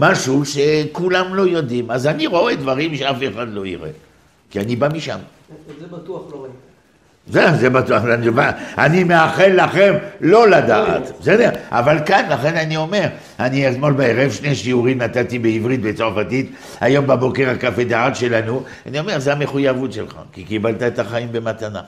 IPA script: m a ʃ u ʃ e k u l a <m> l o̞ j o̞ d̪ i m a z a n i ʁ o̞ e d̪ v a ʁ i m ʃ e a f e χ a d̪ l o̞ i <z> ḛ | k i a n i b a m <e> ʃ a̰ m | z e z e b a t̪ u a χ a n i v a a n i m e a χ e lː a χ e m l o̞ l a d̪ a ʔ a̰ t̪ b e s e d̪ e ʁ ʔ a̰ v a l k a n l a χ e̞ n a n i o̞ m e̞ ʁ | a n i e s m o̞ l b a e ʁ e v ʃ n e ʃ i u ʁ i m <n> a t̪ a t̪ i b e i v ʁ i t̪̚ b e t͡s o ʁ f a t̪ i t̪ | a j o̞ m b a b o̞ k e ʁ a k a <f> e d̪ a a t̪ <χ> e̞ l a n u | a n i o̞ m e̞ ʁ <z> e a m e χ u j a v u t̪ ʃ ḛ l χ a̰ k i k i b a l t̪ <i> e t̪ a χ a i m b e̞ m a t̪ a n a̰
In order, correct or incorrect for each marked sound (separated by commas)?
correct, incorrect, incorrect, correct, correct, incorrect, correct, incorrect